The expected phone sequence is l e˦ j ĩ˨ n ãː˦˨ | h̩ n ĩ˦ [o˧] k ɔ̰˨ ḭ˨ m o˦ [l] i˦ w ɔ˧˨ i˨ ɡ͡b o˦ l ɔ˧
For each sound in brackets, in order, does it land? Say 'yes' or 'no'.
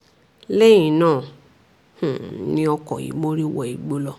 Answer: no, no

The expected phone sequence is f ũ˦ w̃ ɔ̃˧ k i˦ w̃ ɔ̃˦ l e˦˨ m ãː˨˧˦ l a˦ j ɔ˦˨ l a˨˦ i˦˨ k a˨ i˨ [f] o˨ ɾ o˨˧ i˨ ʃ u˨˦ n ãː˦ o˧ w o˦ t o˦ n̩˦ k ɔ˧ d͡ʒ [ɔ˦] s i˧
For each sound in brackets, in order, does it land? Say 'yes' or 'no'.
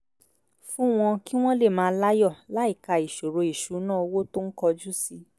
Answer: no, no

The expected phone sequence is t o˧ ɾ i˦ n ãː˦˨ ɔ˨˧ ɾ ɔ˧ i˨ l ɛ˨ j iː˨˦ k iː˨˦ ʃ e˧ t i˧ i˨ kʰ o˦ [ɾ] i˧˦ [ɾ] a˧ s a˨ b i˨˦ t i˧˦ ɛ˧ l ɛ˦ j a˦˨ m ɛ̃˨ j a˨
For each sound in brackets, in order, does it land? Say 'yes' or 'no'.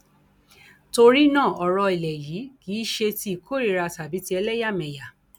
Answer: yes, yes

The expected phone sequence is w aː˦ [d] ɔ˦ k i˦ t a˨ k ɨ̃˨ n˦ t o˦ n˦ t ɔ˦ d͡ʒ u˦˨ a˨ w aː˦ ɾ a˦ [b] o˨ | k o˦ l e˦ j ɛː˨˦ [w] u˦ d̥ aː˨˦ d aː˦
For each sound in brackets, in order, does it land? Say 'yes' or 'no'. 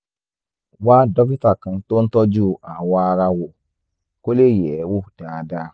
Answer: yes, no, yes

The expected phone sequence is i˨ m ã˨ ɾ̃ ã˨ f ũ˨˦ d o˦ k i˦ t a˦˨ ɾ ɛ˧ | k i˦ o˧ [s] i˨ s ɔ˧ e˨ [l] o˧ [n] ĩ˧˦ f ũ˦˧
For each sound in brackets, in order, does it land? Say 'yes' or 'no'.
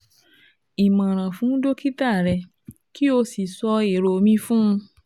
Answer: yes, no, no

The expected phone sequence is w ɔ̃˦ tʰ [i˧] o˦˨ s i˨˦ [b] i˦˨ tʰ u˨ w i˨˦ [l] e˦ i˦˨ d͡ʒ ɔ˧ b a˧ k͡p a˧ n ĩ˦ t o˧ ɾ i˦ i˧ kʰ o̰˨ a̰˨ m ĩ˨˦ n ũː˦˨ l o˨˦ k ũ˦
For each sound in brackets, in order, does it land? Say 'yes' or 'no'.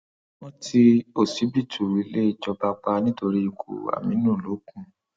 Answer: yes, yes, yes

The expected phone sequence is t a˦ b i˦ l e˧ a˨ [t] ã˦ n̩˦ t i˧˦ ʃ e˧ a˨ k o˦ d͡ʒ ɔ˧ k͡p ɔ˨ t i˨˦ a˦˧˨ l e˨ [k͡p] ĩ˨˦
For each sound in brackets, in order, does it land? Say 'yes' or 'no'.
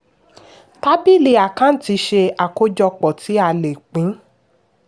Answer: no, yes

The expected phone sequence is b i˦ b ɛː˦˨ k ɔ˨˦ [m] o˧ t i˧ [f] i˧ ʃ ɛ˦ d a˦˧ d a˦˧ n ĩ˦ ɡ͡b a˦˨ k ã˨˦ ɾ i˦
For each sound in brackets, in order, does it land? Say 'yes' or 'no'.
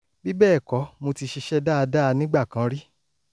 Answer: yes, no

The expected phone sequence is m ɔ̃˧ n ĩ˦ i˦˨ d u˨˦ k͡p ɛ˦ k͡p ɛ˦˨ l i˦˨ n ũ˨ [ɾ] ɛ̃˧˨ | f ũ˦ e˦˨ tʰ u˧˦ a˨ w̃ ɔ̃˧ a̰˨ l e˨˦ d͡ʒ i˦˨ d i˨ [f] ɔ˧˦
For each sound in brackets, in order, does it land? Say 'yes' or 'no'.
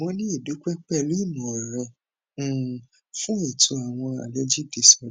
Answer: yes, no

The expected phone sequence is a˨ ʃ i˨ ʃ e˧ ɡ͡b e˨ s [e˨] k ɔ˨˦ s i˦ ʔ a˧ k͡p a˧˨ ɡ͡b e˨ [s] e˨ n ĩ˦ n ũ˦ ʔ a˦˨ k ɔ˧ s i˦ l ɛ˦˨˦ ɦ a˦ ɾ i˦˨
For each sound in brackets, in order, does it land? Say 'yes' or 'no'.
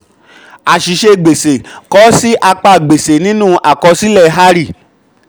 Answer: yes, yes

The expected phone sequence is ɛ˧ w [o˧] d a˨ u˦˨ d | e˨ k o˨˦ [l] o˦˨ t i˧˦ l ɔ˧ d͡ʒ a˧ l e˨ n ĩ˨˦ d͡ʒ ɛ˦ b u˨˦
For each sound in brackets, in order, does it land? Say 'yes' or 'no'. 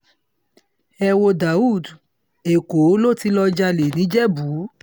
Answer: yes, yes

